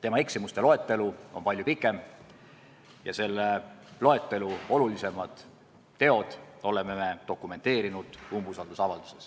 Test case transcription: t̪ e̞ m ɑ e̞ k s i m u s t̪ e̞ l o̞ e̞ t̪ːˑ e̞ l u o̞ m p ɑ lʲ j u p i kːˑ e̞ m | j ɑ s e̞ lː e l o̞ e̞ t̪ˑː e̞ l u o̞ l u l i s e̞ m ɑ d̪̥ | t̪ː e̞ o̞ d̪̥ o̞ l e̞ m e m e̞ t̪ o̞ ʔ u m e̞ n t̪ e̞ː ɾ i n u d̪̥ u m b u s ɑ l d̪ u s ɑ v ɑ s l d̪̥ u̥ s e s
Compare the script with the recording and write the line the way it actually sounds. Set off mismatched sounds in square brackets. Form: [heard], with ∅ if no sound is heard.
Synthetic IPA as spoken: t̪ e̞ m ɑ e̞ k s i m u s t̪ e̞ l o̞ e̞ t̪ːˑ e̞ l u o̞ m p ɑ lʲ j u p i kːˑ e̞ m | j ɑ s e̞ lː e l o̞ e̞ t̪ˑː e̞ l u o̞ l u l i s e̞ m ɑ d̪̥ | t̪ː e̞ o̞ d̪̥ o̞ l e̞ m e m e̞ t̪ o̞ [k] u m e̞ n t̪ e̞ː ɾ i n u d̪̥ u m b u s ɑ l d̪ u s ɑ v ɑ [∅] l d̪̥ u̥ s e s